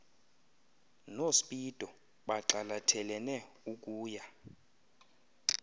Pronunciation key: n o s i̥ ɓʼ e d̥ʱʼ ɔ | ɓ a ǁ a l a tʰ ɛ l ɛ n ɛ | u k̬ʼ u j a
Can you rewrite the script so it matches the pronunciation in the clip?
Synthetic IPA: n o s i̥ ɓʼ i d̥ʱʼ ɔ | ɓ a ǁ a l a tʰ ɛ l ɛ n ɛ | u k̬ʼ uː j a